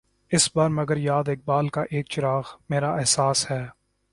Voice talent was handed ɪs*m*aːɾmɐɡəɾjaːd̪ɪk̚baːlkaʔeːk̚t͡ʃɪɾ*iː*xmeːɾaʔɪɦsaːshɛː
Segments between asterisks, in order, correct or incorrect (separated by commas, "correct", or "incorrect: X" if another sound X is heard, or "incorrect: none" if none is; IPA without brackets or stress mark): incorrect: b, incorrect: aː